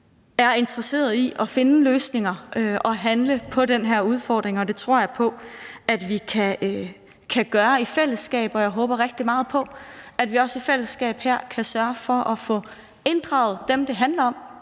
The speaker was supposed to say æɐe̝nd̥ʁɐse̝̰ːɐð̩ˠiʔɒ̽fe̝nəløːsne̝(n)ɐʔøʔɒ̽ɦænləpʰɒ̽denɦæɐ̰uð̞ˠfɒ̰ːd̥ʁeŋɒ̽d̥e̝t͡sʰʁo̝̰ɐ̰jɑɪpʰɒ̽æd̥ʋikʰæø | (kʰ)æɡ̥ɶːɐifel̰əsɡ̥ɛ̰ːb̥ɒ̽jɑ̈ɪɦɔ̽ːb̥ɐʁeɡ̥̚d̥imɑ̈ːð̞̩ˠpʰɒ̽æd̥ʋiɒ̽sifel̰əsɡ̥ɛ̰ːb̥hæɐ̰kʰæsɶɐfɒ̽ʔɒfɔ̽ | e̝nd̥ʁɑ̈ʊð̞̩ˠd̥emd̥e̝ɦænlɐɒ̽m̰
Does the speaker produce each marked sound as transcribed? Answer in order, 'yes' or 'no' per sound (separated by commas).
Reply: no, yes